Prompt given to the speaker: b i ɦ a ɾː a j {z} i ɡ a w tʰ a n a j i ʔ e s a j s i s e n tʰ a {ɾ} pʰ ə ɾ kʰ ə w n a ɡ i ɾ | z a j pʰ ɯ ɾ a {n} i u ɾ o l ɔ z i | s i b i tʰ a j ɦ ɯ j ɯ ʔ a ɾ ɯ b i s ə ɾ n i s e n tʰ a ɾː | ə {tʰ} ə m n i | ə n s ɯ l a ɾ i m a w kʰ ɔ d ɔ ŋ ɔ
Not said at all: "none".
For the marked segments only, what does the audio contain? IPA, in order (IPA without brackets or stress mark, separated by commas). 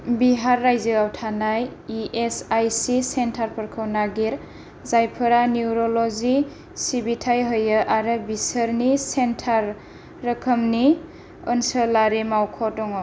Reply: z, ɾ, n, kʰ